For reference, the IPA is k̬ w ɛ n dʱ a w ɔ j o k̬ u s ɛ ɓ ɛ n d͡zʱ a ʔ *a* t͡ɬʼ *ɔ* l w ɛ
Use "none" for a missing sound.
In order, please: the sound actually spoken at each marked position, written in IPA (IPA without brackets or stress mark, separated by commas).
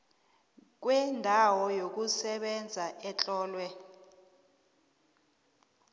ɛ, ɔː